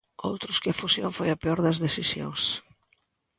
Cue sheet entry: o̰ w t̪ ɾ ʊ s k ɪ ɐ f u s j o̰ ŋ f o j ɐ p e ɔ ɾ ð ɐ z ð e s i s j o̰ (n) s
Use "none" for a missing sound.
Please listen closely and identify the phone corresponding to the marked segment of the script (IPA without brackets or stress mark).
ŋ